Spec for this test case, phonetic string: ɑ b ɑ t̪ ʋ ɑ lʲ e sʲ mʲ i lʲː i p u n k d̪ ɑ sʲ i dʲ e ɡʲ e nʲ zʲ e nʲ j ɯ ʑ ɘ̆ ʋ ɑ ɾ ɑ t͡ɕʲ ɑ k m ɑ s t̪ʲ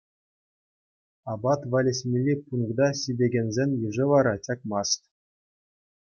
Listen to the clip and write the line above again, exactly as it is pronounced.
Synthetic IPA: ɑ b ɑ t̪ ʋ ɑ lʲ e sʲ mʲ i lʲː i p u n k d̪ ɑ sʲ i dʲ e ɡʲ e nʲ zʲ e nʲ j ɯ ʐ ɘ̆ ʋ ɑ ɾ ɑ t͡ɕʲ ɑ k m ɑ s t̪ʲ